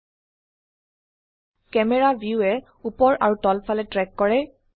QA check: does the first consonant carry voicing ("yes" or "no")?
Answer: no